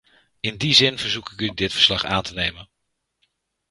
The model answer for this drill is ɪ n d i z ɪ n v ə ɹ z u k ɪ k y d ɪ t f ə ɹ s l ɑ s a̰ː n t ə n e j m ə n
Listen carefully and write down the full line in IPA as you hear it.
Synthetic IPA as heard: ɪ n d i z ɪ n v ə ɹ z u k ɪ k y d ɪ t f ə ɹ s l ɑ χ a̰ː n t ə n e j m ə n